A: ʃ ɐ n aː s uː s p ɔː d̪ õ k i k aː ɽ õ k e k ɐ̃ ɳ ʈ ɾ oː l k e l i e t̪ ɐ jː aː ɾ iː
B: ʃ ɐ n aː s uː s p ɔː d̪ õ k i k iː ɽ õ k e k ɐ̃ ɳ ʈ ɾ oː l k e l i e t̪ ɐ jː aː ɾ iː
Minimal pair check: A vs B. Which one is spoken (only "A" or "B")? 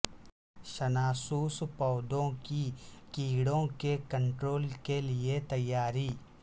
B